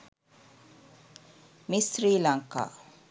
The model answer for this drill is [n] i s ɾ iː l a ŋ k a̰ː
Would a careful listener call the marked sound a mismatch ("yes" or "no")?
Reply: yes